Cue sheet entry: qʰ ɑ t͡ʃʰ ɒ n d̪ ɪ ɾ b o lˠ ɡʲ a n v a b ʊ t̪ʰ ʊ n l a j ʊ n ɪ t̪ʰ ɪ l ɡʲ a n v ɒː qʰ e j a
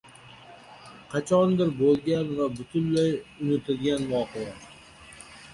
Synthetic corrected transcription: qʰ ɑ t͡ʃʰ ɒ n d̪ ɪ ɾ b o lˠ ɡʲ a n v a b ʊ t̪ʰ ʊ n l a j ʊ n ɪ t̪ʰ ɪ l ɡʲ a n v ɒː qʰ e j a

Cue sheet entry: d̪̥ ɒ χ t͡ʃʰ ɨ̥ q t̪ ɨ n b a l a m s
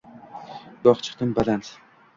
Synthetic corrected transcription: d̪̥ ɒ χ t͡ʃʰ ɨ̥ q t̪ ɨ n b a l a n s

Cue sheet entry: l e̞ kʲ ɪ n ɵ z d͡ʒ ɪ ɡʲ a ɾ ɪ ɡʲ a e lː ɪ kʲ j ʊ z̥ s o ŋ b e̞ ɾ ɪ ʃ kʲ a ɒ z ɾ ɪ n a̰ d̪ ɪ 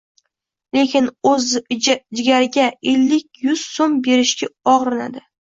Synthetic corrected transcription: l e̞ kʲ ɪ n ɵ z d͡ʒ ɪ ɡʲ a ɾ ɪ ɡʲ a e lː ɪ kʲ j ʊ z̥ s o m b e̞ ɾ ɪ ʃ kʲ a ɒ ʁ ɾ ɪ n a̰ d̪ ɪ

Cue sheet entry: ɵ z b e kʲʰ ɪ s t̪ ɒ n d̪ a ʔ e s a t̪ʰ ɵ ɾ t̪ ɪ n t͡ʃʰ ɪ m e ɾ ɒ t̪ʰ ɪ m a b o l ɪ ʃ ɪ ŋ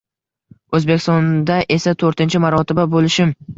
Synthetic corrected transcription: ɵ z b e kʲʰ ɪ s t̪ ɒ n d̪ a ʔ e s a t̪ʰ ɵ ɾ t̪ ɪ n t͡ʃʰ ɪ m a ɾ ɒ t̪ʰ ɪ b a b o l ɪ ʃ ɪ m

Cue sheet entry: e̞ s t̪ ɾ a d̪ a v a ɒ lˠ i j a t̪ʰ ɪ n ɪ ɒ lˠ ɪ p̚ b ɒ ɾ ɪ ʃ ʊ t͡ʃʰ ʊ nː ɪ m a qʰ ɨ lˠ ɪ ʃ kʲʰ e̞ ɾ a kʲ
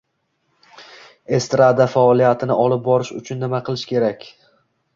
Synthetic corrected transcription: e̞ s t̪ ɾ a d̪ a f a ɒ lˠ i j a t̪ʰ ɪ n ɪ ɒ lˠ ɪ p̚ b ɒ ɾ ɪ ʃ ʊ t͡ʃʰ ʊ nː ɪ m a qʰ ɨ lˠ ɪ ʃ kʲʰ e̞ ɾ a kʲ

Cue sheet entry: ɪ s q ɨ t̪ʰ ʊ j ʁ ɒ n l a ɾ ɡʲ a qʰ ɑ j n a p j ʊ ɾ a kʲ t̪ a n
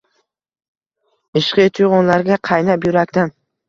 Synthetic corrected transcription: ɪ ʃ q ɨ t̪ʰ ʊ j ʁ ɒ n l a ɾ ɡʲ a qʰ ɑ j n a p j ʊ ɾ a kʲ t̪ a n

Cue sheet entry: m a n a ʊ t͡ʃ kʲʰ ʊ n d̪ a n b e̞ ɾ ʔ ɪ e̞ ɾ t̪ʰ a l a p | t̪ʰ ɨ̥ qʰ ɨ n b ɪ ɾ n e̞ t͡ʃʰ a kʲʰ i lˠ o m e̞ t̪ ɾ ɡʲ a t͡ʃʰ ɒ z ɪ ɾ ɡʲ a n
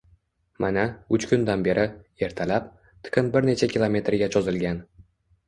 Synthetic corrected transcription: m a n a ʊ t͡ʃ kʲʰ ʊ n d̪ a n b e̞ ɾ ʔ ɪ e̞ ɾ t̪ʰ a l a p | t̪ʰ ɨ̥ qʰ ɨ n b ɪ ɾ n e̞ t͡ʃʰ a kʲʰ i lˠ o m e̞ t̪ ɾ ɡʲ a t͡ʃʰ ɒ z ɪ l ɡʲ a n

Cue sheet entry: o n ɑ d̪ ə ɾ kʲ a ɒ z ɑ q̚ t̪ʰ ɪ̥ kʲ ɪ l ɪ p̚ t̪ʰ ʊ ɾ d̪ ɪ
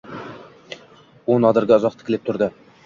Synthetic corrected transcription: o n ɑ d̪ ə ɾ ɡʲ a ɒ z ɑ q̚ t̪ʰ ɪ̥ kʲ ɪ l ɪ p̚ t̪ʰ ʊ ɾ d̪ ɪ

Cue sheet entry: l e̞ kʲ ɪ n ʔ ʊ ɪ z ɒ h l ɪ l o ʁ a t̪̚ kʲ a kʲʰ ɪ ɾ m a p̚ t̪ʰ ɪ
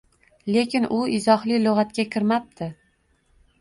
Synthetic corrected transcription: l e̞ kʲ ɪ n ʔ ʊ ɪ z ɒ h l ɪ l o ʁ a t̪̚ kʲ a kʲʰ ɪ ɾ m a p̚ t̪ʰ ɪ

